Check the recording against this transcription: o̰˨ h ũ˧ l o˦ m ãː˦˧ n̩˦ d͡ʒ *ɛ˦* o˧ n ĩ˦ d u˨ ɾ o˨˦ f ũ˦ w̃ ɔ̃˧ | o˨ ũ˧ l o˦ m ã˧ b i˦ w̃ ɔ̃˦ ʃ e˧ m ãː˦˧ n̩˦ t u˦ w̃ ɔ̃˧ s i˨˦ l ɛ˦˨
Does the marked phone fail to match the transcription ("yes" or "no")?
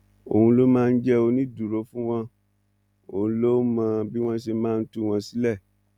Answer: no